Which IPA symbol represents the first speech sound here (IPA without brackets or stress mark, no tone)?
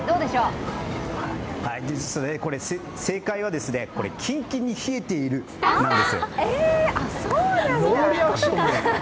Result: d̪